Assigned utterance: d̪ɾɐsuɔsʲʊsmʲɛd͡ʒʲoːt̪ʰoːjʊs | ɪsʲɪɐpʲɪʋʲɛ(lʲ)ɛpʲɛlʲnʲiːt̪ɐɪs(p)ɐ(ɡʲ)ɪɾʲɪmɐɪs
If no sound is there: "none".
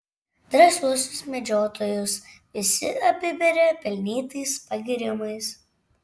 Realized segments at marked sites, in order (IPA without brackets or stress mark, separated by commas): ɾʲ, p, ɡʲ